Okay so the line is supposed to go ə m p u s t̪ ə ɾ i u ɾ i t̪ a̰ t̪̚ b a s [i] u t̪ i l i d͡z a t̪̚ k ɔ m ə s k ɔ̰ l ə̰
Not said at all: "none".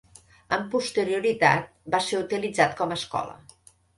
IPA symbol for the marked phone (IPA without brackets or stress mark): e